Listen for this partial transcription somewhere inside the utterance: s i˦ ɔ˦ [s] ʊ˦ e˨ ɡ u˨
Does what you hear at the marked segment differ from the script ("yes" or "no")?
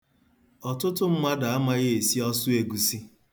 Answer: no